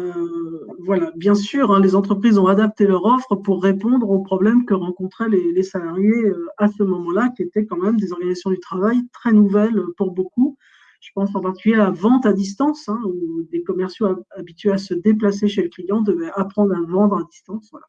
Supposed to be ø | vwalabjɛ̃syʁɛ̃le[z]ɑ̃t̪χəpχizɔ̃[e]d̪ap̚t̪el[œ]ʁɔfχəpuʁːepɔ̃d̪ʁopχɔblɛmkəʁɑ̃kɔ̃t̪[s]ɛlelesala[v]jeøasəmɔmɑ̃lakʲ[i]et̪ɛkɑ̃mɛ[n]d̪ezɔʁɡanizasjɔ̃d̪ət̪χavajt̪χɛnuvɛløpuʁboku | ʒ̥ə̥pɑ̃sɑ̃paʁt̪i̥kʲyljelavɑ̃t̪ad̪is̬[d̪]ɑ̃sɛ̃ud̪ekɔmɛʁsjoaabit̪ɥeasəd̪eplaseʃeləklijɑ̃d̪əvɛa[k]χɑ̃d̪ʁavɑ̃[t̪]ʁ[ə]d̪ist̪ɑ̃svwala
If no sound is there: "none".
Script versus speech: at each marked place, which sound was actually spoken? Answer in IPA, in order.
z, a, œ, χ, ʁ, i, m, t̪, p, d̪, a

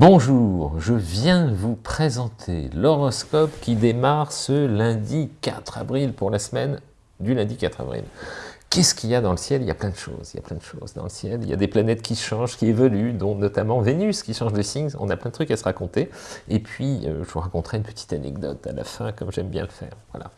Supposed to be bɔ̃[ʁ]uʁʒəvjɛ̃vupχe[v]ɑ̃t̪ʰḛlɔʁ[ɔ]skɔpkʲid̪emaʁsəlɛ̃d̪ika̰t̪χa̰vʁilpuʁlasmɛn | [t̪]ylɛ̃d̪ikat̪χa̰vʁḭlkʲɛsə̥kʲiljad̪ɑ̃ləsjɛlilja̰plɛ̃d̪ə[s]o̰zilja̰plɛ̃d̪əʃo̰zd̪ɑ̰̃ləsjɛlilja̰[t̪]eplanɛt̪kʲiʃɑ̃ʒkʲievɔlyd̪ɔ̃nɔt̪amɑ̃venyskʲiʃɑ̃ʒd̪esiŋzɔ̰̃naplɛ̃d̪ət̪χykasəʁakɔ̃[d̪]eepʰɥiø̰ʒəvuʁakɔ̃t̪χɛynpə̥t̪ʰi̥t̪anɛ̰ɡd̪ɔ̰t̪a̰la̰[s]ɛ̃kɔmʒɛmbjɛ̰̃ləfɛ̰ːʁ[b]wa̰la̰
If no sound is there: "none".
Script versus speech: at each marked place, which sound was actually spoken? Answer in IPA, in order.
ʒ, z, ɔ, d̪, ʃ, d̪, t̪, f, v

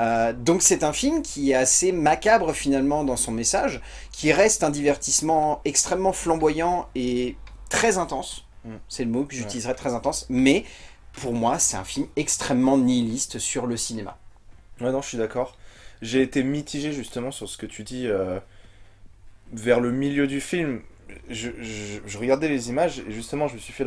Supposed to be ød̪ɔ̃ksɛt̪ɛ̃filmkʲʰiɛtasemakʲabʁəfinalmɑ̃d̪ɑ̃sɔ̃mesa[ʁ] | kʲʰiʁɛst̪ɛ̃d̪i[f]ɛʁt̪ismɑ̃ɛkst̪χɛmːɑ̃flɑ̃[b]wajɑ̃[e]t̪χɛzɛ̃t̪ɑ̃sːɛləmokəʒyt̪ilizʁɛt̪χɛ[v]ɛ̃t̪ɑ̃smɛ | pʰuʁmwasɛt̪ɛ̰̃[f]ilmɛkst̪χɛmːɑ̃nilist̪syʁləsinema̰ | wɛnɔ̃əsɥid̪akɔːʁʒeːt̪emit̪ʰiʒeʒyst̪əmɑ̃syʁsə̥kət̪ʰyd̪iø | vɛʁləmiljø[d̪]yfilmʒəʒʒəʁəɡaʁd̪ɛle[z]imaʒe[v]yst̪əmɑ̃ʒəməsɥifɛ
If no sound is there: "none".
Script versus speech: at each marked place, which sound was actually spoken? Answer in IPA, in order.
ʒ, v, b, e, z, f, d̪, z, ʒ

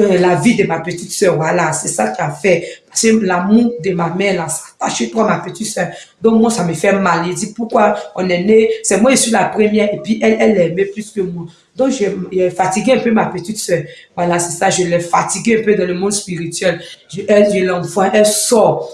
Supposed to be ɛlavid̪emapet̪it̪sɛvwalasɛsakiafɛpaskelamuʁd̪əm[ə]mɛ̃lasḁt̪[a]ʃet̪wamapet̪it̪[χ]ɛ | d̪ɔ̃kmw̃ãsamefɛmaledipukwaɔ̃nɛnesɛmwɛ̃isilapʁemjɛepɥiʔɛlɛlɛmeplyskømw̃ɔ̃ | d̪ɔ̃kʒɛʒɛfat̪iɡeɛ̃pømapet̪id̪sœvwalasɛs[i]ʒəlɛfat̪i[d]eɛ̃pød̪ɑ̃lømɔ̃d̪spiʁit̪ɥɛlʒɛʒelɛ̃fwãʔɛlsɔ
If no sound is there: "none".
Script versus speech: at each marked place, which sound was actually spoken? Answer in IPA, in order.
a, a, s, a, ɡ

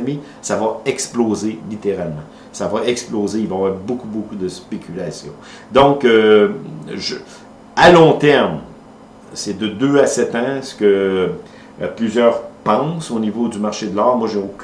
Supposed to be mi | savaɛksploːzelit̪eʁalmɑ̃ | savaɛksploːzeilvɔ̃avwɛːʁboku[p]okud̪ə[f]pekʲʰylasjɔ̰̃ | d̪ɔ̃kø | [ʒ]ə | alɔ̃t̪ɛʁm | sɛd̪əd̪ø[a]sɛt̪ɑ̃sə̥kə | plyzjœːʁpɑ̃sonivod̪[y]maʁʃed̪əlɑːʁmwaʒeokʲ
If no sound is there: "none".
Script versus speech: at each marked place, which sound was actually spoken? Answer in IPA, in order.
b, s, ʒ, a, y

